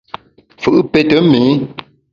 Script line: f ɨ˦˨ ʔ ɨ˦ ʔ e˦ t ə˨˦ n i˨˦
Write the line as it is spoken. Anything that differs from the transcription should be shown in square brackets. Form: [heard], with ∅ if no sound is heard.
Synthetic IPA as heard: f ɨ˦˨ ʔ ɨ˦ [p] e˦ t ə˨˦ [m] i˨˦